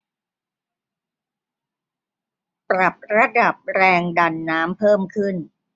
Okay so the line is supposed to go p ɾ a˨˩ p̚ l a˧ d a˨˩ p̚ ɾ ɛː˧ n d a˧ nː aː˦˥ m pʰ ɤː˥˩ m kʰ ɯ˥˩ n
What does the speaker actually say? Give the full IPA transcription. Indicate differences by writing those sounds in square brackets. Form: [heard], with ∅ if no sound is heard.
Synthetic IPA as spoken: p ɾ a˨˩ p̚ [ɾ] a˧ d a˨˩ p̚ ɾ ɛː˧ [ŋ] d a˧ nː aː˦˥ m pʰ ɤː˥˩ m kʰ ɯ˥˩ n